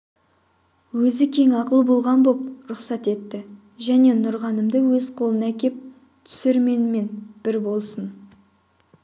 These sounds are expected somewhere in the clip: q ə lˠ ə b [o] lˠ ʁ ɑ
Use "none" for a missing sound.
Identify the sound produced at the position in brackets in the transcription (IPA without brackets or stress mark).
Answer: o